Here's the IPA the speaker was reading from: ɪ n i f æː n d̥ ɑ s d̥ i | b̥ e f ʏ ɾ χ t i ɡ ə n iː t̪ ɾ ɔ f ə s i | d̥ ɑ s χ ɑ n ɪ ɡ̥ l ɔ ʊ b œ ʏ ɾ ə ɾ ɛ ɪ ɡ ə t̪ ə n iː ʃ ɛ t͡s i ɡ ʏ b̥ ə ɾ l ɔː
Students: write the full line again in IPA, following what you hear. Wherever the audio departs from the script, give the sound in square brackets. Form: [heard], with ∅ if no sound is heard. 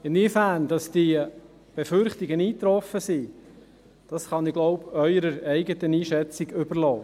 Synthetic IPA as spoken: ɪ n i f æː n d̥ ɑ s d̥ i | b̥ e f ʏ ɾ χ t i ɡ ə n iː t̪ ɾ ɔ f ə s i | d̥ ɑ s χ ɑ n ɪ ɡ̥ l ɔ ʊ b œ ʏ ɾ ə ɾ ɛ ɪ ɡ ə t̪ ə n iː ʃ ɛ t͡s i ɡ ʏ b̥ ə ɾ l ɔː